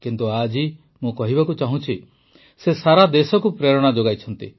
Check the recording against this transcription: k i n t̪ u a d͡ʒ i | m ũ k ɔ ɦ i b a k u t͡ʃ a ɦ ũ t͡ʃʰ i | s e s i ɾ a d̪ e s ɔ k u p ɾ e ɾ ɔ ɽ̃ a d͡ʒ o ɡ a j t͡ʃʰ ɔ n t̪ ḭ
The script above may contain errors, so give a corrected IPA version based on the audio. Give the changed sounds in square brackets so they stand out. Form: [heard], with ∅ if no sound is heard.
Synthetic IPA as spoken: k i n t̪ u a d͡ʒ i | m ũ k ɔ ɦ i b a k u t͡ʃ a ɦ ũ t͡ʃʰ i | s e s [a] ɾ a d̪ e s ɔ k u p ɾ e ɾ ɔ ɽ̃ a d͡ʒ o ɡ a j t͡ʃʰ ɔ n t̪ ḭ